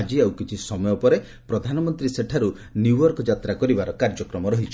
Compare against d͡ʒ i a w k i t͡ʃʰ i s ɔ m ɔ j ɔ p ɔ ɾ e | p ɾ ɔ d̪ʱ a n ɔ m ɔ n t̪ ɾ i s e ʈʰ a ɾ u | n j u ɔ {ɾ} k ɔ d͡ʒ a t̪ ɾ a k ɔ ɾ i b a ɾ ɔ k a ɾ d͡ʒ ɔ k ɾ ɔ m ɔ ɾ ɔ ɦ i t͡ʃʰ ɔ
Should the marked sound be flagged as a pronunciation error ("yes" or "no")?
no